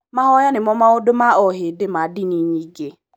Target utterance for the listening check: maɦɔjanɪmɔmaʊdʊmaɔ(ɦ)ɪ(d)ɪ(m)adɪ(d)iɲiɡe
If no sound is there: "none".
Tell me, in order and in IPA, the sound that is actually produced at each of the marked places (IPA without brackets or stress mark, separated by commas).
ɦ, d, m, n